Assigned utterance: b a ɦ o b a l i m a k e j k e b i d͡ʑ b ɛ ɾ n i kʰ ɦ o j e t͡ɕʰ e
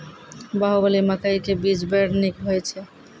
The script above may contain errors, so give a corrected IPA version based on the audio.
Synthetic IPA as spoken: b a ɦ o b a l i m a k a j k e b i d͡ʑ b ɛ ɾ n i k ɦ o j e t͡ɕʰ e